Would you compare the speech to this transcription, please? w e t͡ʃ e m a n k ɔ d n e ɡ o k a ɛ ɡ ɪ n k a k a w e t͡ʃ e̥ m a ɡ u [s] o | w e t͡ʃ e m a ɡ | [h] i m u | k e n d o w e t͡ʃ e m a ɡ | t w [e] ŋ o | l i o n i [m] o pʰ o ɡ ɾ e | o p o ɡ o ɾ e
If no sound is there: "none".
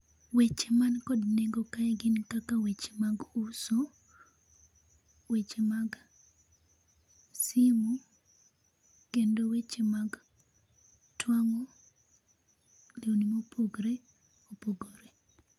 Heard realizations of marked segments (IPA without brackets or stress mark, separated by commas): s, s, a, m